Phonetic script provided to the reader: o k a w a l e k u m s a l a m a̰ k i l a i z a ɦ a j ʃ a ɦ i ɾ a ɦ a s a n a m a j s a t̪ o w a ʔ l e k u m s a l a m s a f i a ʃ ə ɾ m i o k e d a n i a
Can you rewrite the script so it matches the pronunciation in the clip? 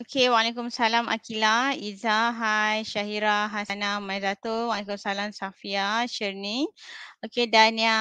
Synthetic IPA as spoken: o k e w a l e k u m s a l a m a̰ k i l a i z a ɦ a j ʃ a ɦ i ɾ a ɦ a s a n a m a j z a t̪ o w a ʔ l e k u m s a l a m s a f i a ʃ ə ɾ n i o k e d a n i a